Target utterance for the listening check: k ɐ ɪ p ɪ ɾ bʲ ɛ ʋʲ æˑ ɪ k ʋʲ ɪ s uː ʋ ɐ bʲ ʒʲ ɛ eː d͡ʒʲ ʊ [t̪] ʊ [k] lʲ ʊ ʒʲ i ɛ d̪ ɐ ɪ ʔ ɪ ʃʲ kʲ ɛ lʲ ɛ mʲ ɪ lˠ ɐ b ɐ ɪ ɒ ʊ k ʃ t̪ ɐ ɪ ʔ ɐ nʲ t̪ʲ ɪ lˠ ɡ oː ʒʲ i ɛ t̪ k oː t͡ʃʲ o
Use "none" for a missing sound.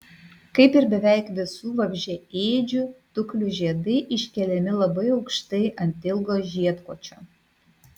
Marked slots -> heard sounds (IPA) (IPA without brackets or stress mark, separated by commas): t̪, k